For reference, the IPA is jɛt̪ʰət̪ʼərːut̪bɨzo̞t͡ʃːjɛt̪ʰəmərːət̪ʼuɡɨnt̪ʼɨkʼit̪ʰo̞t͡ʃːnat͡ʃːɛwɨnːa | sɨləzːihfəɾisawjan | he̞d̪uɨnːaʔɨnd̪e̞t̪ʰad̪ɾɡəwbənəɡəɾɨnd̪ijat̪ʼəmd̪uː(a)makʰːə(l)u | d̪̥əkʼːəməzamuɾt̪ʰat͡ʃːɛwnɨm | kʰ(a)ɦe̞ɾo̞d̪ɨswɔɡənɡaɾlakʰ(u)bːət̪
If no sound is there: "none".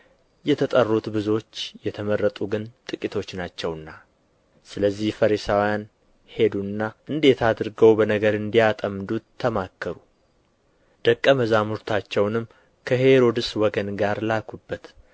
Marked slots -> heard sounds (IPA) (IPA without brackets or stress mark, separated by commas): ə, ɾ, ə, u